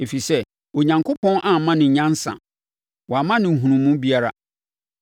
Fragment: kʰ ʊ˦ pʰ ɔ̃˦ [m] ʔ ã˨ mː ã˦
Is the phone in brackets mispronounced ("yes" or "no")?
yes